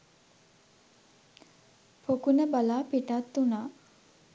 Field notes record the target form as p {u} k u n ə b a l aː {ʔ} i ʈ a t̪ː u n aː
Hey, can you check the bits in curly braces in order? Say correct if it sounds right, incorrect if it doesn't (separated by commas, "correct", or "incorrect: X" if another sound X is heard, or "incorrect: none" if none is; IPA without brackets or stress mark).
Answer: incorrect: o, incorrect: p